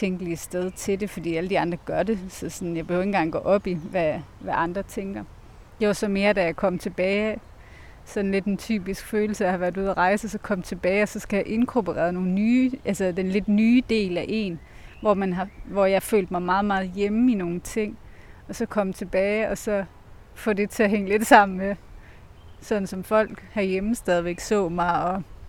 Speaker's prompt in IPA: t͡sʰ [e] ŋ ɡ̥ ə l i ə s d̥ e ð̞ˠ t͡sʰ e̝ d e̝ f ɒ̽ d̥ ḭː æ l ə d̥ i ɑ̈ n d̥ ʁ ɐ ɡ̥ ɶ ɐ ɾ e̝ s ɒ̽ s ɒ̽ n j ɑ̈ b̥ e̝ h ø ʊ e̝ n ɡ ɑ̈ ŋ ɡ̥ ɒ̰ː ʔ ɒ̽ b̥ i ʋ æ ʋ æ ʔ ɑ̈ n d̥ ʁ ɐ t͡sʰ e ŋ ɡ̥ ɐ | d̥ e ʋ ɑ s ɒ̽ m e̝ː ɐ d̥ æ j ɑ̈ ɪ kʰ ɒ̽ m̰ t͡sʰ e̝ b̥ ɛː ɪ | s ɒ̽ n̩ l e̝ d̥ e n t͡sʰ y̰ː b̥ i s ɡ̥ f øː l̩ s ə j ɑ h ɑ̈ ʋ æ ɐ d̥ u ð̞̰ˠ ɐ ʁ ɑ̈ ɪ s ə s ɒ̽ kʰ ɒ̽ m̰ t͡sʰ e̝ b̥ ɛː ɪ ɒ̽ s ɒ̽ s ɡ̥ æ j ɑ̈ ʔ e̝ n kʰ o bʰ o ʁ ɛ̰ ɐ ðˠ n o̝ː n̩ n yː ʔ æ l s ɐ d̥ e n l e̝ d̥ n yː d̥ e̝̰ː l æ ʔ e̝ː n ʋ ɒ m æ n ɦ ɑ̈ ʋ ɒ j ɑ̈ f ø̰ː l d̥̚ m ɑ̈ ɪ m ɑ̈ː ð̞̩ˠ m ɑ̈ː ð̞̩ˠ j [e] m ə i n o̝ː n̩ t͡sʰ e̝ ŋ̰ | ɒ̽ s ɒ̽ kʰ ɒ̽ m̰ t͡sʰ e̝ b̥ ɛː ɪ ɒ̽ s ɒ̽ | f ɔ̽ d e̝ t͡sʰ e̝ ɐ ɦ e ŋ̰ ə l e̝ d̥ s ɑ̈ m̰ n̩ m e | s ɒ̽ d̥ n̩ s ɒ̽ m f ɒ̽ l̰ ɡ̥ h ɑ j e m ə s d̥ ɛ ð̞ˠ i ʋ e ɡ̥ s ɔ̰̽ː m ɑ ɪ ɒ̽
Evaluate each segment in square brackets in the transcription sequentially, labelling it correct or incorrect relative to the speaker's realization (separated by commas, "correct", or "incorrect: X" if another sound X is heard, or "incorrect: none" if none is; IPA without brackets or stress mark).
correct, correct